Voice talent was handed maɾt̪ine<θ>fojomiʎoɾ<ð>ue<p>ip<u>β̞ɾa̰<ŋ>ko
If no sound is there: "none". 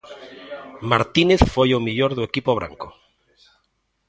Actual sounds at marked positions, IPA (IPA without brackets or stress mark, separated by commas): θ, ð, k, o, ŋ